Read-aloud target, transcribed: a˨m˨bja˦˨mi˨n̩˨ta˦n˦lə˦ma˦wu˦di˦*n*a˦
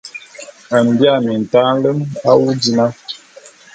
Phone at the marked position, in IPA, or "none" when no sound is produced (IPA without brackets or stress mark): n